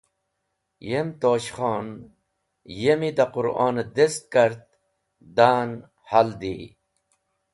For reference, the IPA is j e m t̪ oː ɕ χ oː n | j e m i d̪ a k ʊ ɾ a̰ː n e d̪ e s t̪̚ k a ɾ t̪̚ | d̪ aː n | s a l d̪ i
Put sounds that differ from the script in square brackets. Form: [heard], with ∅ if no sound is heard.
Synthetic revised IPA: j e m t̪ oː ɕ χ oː n | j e m i d̪ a [q] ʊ ɾ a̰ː n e d̪ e s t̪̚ k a ɾ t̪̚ | d̪ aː n | [h] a l d̪ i